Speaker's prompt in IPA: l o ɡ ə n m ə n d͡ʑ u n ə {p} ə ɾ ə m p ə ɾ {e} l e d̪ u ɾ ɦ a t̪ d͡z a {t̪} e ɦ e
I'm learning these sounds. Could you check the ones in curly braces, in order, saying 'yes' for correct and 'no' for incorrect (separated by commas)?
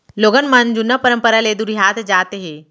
yes, no, yes